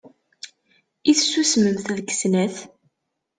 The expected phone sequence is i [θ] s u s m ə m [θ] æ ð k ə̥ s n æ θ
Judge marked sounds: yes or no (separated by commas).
yes, yes